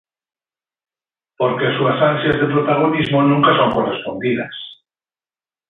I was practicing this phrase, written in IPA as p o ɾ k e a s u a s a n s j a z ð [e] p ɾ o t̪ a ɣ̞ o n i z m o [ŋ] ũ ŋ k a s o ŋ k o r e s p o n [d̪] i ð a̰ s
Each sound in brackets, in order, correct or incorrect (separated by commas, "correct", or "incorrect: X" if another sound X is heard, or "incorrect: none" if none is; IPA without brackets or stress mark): correct, incorrect: n, correct